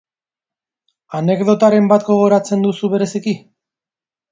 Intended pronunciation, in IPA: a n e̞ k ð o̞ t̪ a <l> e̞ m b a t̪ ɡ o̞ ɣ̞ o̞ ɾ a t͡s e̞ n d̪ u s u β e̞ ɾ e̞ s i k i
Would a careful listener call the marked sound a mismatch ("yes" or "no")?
yes